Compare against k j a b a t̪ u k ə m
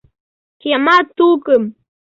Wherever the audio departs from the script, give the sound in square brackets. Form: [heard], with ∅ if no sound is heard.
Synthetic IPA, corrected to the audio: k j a [m] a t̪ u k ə m